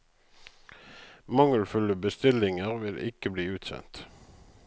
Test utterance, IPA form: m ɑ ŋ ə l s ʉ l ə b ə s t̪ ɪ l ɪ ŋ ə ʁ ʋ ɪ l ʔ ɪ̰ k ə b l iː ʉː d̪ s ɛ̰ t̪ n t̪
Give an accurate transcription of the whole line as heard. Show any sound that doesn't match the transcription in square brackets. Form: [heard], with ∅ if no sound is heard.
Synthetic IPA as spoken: m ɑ ŋ ə l [f] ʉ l ə b ə s t̪ ɪ l ɪ ŋ ə ʁ ʋ ɪ l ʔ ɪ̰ k ə b l iː ʉː [t̪] s ɛ̰ [∅] n t̪